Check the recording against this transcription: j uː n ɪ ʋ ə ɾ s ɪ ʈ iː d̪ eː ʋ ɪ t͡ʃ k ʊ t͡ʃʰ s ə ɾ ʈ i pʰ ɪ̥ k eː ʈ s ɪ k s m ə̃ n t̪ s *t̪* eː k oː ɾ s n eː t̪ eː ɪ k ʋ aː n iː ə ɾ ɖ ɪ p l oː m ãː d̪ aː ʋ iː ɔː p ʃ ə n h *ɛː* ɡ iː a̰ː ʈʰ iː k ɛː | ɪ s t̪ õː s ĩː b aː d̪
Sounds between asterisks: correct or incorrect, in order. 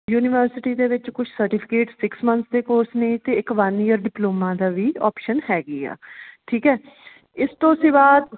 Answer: incorrect, correct

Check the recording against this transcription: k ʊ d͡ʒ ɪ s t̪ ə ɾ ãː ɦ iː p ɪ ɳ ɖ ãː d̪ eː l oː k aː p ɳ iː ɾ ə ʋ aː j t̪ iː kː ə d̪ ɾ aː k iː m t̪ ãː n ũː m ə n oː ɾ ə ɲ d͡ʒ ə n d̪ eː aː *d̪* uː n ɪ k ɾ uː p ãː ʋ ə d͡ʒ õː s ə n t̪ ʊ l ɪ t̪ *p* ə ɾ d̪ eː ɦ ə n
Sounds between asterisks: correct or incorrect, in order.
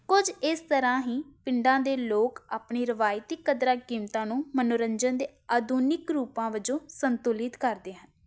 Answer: correct, incorrect

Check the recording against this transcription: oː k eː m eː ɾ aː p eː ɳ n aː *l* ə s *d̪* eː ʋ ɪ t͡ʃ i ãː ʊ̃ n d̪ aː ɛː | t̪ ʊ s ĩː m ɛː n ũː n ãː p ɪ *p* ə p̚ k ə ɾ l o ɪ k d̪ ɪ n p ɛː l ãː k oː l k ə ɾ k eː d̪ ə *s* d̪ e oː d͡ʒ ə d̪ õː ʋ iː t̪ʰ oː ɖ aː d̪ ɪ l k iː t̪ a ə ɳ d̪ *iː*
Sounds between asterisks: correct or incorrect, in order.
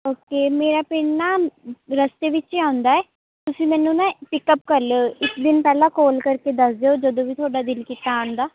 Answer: incorrect, incorrect, incorrect, correct, incorrect

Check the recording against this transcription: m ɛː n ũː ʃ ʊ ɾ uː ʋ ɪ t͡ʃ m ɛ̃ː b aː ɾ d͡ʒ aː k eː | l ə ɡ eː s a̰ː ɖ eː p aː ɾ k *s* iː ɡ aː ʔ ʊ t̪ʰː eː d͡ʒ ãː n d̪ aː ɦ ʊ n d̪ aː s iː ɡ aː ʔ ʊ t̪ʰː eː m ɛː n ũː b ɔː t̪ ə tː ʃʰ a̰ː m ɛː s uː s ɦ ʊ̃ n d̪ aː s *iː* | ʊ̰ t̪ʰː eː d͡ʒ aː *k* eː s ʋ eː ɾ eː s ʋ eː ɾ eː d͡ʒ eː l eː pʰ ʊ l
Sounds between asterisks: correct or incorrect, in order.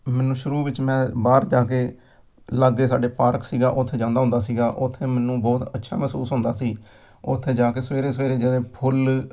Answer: correct, correct, correct

